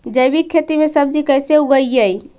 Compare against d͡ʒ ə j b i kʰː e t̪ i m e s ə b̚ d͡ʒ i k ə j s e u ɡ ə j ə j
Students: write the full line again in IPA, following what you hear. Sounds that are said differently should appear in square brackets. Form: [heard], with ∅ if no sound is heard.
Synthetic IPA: d͡ʒ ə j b i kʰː e t̪ i m e s ə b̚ d͡ʒ i k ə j s e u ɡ ə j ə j